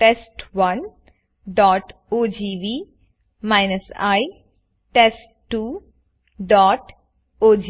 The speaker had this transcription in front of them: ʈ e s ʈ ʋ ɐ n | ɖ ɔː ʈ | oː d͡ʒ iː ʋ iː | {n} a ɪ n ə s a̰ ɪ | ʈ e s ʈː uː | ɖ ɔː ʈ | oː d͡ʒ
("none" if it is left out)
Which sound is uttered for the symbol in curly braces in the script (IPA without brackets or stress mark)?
m